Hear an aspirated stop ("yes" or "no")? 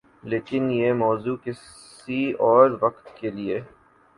no